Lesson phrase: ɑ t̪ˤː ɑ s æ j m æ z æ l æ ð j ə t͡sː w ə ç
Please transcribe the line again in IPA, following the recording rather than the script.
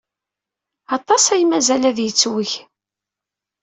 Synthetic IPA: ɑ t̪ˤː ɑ s æ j m æ z æ l æ ð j ə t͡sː w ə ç